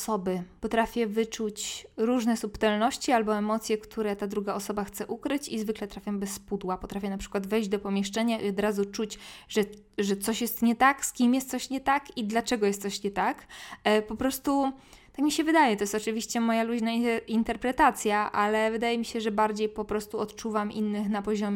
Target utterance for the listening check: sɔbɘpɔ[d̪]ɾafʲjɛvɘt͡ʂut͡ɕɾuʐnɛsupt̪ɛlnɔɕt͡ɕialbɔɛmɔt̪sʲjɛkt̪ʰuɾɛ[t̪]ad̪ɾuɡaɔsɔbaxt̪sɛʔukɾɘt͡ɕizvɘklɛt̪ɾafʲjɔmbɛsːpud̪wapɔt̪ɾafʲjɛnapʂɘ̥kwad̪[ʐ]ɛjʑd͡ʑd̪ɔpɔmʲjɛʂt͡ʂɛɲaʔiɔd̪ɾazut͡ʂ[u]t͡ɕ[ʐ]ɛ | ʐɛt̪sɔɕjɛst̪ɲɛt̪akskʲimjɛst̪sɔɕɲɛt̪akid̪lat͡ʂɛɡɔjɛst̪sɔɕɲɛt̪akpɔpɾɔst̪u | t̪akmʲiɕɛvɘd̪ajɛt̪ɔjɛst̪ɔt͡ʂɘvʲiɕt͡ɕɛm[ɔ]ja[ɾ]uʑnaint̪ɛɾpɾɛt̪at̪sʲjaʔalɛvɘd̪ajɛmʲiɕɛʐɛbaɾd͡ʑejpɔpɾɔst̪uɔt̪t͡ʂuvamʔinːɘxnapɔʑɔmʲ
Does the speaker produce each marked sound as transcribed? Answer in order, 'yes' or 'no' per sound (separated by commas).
no, yes, no, yes, yes, yes, no